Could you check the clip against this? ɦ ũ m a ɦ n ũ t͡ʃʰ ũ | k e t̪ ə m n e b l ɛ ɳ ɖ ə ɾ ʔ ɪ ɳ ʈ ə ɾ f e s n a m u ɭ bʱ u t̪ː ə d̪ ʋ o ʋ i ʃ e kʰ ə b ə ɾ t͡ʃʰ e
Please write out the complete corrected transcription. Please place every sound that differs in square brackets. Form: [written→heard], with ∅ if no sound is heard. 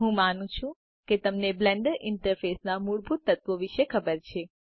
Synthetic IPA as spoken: ɦ ũ m a [ɦ→∅] n ũ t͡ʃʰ ũ | k e t̪ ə m n e b l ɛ ɳ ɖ ə ɾ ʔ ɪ ɳ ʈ ə ɾ f e s n a m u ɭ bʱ u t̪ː ə [d̪→t̪] ʋ o ʋ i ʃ e kʰ ə b ə ɾ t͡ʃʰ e